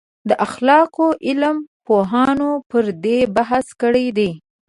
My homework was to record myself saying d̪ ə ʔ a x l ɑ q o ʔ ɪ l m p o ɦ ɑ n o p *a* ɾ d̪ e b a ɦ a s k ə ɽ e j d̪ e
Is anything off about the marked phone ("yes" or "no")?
yes